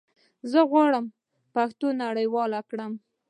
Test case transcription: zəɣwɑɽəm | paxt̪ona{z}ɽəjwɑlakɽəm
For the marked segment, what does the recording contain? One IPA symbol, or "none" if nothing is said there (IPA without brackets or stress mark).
none